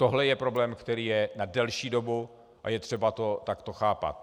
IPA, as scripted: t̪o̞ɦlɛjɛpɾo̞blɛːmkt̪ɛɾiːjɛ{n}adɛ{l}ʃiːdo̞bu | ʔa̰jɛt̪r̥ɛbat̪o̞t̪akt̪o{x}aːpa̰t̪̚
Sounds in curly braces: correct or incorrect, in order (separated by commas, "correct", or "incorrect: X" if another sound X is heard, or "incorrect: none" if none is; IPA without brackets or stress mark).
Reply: correct, correct, correct